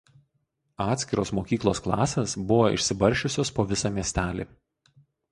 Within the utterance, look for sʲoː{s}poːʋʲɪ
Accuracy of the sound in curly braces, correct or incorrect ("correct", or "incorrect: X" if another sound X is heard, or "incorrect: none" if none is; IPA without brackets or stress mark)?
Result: correct